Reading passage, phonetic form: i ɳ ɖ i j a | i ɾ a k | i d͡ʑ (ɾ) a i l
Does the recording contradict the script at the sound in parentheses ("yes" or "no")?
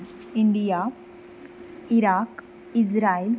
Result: no